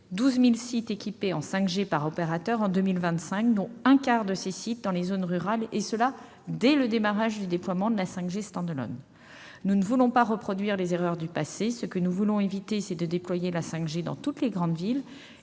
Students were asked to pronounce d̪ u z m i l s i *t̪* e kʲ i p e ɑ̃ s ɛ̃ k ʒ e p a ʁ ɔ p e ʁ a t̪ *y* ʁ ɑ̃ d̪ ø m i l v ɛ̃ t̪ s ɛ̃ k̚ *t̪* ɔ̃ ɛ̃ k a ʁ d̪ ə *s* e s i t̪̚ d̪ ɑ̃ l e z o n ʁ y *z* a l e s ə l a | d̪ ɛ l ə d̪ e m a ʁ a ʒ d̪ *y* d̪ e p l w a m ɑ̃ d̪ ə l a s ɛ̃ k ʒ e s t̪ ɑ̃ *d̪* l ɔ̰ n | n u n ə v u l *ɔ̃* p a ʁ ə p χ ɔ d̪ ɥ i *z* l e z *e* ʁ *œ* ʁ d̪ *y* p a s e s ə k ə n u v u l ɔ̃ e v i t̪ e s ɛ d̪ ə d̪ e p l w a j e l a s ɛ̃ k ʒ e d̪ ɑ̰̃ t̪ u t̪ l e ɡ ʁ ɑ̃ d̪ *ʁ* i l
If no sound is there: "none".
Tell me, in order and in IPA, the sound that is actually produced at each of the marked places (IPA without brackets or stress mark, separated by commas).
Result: t̪, œ, d̪, s, ʁ, y, d̪, ɔ̃, ʁ, e, œ, y, v